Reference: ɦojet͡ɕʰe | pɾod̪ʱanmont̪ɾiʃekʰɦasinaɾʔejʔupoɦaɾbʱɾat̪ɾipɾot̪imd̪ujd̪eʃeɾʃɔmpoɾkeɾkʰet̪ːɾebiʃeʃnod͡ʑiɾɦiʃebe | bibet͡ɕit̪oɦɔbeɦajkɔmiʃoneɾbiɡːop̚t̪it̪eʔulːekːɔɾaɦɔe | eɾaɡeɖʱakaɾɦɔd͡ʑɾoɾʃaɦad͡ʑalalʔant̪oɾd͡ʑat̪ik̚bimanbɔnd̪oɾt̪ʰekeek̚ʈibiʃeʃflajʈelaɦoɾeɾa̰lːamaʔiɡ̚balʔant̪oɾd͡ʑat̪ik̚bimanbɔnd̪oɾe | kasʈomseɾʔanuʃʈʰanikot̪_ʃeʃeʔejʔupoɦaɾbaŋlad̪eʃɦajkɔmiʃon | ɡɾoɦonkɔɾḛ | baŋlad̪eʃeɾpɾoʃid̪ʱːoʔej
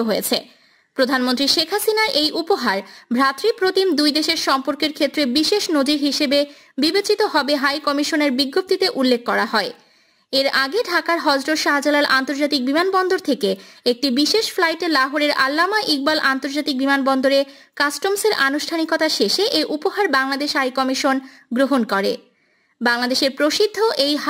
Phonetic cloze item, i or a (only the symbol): a